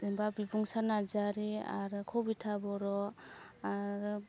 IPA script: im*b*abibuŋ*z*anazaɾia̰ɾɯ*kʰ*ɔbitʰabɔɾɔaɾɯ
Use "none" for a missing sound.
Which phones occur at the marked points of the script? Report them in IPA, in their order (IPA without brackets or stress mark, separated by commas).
b, s, kʰ